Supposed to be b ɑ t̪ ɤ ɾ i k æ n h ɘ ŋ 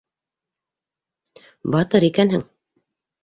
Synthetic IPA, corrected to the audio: b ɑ t̪ ɤ ɾ i k æ n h ɘ ŋ